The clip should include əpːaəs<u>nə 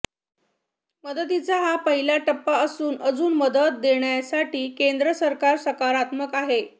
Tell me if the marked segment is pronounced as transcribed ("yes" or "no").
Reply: no